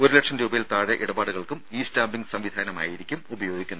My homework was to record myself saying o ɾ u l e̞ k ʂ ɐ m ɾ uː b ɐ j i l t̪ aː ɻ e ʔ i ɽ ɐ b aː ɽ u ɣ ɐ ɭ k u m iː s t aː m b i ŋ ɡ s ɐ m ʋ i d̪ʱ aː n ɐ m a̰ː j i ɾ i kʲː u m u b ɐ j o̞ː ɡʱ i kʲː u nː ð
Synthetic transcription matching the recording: o ɾ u l e̞ k ʂ ɐ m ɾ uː b ɐ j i l t̪ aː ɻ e ʔ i ɽ ɐ b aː ɽ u ɣ ɐ ɭ k u m iː s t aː m b i ŋ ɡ s ɐ m ʋ i d̪ʱ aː n ɐ m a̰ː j i ɾ i kʲː u m u b ɐ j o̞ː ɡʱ i kʲː u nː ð